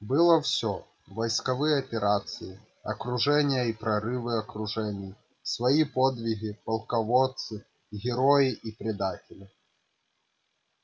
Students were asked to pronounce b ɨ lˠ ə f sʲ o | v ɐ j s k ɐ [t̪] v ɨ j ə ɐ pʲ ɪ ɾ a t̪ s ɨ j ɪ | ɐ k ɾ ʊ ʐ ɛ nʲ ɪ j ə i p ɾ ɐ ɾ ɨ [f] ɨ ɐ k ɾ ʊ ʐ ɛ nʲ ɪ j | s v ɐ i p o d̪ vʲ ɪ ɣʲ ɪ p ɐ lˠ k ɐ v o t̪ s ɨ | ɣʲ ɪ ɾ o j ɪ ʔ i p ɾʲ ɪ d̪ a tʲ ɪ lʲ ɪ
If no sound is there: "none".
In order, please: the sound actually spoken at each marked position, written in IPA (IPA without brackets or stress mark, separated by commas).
none, v